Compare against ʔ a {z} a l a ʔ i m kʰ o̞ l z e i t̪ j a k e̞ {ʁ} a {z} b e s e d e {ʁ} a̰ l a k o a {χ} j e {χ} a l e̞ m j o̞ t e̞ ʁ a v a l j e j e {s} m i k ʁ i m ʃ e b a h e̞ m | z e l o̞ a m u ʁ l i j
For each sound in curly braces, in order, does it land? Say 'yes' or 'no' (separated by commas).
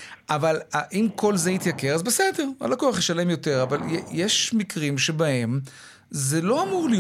no, yes, yes, yes, yes, no, no